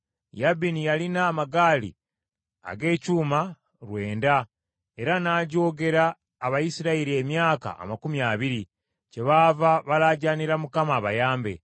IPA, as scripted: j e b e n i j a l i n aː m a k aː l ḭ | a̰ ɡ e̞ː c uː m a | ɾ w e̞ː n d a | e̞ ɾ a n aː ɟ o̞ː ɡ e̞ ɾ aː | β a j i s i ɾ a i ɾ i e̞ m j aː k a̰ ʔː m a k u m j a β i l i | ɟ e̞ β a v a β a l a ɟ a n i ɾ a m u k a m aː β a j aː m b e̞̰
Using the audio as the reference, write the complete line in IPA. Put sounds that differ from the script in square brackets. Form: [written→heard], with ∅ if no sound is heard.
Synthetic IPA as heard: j [e→a] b [e→i] n i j a l i n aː m a [k→ɡ] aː l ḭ | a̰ ɡ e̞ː c uː m a | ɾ w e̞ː n d a | e̞ ɾ a n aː ɟ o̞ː ɡ e̞ ɾ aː | β a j i s i ɾ a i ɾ i e̞ m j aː k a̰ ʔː m a k u m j a β i [l→ɾ] i | [ɟ→c] e̞ β a v a β a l a ɟ a n i ɾ a m u k a m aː β a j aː m b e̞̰